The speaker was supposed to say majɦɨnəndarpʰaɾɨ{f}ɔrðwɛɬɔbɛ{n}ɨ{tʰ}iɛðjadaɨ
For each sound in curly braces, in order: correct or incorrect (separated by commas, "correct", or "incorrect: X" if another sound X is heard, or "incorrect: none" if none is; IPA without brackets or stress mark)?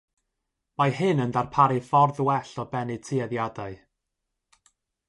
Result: correct, correct, correct